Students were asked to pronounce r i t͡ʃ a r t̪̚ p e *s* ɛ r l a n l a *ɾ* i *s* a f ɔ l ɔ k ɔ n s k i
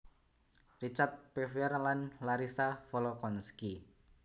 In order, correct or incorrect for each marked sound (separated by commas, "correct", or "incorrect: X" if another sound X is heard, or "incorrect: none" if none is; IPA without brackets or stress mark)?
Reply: incorrect: f, correct, correct